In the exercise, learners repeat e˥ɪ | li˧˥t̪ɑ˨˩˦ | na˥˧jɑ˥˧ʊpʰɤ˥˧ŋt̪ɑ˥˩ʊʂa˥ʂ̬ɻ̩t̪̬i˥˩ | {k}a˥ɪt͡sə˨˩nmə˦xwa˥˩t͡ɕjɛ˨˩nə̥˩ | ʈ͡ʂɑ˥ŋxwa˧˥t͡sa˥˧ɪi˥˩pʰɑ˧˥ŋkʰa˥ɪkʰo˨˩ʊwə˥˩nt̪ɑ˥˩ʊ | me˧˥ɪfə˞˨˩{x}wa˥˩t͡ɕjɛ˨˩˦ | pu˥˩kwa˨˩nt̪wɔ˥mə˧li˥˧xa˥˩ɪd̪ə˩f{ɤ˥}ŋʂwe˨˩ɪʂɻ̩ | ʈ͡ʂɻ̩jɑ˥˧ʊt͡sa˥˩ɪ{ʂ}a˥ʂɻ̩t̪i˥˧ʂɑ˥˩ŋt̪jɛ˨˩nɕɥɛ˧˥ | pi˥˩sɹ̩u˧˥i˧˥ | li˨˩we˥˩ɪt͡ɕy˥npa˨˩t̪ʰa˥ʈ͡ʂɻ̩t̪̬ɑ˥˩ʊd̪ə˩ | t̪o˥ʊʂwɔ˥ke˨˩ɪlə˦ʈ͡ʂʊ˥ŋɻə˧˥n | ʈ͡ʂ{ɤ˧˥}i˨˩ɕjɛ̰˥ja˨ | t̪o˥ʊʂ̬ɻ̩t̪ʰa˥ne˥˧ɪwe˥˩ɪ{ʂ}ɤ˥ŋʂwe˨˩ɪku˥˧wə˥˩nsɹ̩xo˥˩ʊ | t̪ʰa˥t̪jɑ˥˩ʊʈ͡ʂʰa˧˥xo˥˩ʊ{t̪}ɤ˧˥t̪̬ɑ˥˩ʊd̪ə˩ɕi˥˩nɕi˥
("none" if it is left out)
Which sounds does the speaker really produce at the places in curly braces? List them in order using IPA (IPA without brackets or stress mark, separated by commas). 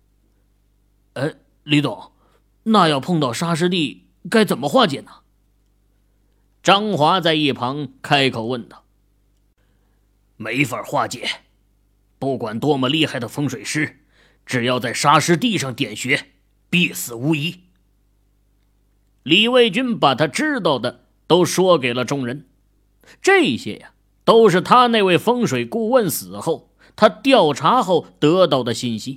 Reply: k, x, ɤ˥, ʂ, ɤ˥˩˧, f, t̪